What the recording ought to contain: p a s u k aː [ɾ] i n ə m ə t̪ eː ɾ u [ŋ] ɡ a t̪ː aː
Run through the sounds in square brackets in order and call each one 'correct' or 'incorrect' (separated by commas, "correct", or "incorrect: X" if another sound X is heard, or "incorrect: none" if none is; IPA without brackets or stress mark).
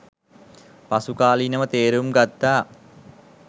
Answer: incorrect: l, incorrect: m